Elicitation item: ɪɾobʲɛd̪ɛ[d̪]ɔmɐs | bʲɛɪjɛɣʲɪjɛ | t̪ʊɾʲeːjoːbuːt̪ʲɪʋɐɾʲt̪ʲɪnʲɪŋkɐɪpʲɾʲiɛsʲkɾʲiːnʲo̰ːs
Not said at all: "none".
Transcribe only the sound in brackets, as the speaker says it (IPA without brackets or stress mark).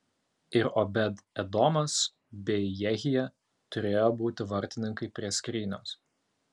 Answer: d̪